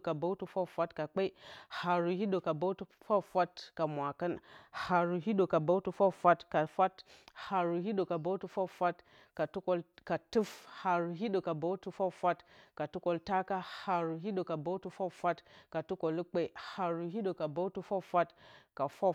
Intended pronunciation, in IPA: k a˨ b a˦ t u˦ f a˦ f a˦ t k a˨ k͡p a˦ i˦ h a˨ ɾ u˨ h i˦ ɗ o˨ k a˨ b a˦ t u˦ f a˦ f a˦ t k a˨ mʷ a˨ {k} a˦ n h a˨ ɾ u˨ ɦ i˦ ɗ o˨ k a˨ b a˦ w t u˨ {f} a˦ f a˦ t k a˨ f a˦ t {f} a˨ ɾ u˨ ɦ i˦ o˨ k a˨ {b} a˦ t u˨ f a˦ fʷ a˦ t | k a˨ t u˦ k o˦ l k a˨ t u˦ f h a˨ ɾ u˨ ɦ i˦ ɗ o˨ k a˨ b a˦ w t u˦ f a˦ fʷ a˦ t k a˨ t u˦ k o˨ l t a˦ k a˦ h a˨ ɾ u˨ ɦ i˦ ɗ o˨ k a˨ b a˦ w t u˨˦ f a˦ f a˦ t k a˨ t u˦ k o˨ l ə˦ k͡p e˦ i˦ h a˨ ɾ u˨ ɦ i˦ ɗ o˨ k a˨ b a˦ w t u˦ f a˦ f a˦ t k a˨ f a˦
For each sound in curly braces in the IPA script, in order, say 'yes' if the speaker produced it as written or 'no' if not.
yes, yes, no, yes

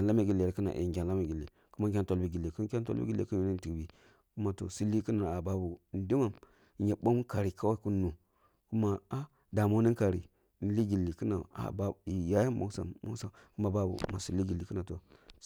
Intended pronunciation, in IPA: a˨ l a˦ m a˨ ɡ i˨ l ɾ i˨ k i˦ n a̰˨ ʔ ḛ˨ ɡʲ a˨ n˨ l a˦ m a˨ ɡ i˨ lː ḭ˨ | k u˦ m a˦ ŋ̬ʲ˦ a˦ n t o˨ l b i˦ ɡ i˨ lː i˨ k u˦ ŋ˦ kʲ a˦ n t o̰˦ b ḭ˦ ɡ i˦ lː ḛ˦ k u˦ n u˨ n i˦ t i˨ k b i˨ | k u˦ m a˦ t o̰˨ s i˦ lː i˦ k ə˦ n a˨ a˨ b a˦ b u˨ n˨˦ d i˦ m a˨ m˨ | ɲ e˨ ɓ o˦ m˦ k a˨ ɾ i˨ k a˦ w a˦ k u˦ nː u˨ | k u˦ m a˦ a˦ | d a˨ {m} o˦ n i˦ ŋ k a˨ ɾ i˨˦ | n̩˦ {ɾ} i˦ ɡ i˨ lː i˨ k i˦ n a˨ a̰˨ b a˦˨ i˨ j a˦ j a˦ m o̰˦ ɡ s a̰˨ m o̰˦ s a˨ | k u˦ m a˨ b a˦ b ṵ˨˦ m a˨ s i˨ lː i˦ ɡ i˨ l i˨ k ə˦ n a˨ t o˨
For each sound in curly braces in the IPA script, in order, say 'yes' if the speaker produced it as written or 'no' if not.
yes, no

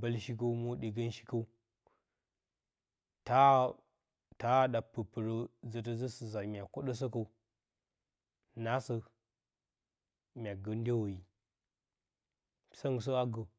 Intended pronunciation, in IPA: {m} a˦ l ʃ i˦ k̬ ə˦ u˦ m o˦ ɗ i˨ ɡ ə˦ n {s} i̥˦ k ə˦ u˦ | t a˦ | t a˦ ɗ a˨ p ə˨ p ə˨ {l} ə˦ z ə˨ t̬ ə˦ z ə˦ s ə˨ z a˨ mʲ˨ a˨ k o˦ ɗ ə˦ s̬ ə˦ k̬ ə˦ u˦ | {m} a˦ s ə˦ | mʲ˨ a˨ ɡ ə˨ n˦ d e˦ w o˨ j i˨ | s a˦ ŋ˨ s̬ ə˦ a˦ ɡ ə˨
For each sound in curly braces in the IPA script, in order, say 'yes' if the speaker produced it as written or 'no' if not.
no, no, no, no

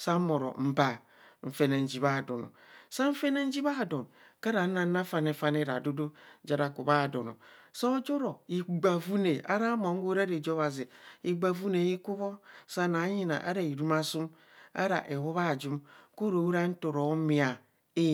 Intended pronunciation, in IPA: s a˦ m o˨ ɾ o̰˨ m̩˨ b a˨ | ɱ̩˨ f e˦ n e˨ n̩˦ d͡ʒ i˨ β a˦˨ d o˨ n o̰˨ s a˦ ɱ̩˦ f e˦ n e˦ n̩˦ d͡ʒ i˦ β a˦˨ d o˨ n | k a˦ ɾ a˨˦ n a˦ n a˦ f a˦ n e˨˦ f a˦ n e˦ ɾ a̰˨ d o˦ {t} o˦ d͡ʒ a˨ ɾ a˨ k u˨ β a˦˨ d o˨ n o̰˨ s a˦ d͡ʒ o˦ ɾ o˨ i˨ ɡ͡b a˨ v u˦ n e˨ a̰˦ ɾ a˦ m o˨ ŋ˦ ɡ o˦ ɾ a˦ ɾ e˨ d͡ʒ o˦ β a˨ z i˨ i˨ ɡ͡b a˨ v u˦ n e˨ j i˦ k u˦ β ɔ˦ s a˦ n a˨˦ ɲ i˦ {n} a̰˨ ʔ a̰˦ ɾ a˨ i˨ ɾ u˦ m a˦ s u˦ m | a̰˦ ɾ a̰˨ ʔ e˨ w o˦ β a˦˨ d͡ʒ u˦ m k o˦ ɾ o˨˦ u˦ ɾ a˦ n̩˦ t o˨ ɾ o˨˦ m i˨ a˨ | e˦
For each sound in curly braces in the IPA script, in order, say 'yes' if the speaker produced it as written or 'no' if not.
no, yes

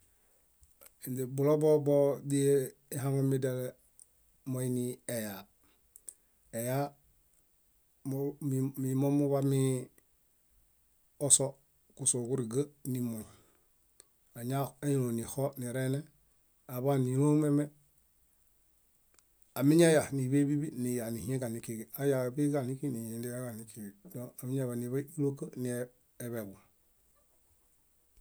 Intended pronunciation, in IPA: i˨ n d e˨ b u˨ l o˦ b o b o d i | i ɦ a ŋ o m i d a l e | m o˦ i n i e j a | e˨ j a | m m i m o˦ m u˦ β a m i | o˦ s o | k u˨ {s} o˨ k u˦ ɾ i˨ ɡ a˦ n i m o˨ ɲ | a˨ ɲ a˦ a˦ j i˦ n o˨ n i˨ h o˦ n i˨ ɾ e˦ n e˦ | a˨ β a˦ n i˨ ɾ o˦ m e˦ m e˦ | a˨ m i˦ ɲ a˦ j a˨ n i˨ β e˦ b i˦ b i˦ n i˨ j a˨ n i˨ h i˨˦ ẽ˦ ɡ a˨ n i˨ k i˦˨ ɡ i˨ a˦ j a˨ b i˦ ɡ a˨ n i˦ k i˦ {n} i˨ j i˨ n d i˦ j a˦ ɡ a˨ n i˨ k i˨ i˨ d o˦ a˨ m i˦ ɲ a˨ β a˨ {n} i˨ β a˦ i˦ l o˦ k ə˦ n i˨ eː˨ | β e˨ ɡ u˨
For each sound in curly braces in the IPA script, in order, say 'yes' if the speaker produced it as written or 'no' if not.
yes, yes, yes

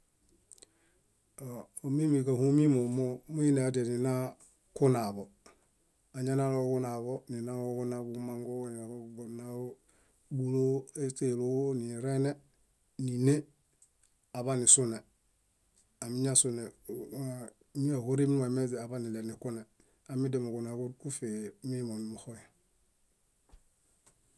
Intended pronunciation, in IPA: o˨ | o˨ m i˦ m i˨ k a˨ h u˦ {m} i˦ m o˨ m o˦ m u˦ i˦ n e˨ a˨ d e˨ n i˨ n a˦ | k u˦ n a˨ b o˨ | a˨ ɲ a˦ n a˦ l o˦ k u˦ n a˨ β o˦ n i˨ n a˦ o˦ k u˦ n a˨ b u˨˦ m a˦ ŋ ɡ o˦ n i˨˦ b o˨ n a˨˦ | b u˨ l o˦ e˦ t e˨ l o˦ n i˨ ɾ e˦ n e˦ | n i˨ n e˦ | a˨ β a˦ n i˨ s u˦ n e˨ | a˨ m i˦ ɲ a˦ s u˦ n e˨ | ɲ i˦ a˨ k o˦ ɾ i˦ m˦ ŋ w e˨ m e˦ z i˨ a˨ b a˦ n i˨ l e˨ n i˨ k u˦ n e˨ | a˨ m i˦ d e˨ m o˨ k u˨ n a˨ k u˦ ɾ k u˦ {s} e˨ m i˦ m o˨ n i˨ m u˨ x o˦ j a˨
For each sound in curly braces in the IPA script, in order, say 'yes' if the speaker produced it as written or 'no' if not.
yes, no

